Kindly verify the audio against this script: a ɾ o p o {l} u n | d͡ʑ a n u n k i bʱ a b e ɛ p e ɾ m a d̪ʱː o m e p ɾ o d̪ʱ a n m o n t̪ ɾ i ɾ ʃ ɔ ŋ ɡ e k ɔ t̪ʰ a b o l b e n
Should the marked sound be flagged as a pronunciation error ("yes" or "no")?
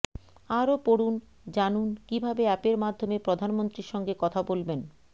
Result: yes